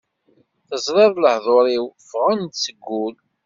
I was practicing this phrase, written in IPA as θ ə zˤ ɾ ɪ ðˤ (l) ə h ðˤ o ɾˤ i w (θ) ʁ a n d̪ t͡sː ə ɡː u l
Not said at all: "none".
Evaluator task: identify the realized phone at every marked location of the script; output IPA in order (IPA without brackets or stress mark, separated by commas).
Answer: l, f